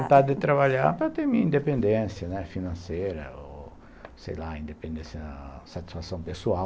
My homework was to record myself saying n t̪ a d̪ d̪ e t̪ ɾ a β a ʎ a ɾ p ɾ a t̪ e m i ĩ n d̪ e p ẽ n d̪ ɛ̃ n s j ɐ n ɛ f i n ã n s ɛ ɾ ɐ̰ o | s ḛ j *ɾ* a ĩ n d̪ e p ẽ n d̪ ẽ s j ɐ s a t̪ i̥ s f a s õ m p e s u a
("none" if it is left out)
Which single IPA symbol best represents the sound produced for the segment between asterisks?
l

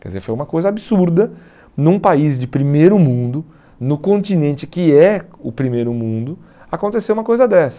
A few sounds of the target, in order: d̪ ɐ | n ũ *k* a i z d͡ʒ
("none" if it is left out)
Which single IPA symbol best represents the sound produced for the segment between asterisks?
p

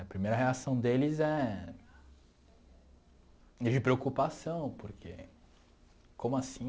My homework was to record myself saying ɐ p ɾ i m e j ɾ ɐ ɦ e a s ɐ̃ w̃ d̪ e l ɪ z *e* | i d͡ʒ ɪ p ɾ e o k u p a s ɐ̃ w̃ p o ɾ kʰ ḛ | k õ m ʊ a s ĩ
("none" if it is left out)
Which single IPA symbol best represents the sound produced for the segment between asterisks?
ɛ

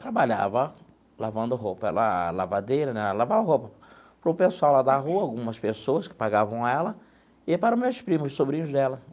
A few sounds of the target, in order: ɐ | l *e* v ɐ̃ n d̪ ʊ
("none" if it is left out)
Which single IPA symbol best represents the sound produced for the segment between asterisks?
a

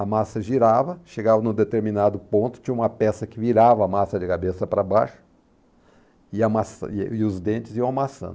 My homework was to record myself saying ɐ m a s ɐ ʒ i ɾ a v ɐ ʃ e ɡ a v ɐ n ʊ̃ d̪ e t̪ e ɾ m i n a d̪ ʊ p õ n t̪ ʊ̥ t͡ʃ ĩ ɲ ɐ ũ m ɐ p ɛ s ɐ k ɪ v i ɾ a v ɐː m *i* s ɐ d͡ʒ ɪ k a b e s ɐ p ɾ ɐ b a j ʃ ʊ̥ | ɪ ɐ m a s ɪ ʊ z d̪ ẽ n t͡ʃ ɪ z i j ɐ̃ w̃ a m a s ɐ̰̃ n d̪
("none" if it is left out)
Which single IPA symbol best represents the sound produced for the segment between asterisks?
a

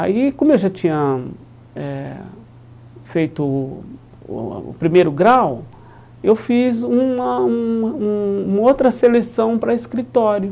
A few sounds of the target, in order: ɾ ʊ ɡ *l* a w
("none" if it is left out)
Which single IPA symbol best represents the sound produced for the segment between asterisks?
ɾ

